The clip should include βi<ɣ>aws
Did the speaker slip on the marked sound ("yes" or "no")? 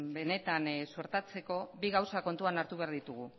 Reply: no